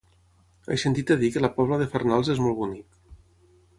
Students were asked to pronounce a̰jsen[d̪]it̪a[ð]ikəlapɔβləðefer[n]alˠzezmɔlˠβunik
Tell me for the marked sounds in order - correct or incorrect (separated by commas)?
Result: incorrect, correct, correct